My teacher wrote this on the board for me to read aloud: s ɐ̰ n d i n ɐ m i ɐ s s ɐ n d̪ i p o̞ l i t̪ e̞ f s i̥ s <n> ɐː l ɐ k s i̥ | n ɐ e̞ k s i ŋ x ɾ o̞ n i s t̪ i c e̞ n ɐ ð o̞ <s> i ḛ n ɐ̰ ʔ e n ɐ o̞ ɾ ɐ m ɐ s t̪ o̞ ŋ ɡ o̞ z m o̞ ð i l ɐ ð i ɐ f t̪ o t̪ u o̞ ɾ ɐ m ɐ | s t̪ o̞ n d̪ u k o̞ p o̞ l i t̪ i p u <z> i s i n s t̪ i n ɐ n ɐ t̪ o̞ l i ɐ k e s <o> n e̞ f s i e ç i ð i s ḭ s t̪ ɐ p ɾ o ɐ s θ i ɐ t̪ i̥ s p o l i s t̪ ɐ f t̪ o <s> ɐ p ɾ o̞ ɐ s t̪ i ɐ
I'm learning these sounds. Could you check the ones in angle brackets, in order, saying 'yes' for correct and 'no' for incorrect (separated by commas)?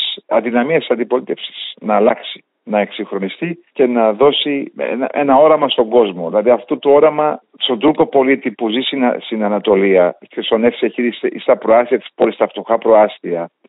yes, yes, yes, yes, no